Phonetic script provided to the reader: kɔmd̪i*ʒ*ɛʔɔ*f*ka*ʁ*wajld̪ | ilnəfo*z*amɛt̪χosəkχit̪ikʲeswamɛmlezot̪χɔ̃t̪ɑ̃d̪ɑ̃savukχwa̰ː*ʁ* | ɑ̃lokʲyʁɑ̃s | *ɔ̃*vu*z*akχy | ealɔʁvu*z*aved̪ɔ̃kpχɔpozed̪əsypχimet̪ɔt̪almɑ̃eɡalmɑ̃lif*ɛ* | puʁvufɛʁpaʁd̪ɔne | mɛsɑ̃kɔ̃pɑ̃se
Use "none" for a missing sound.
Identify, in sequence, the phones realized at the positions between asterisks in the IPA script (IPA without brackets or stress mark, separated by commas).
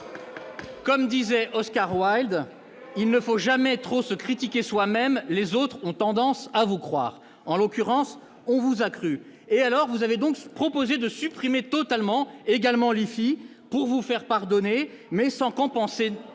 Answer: z, s, ʁ, ʒ, ʁ, ɔ̃, z, z, i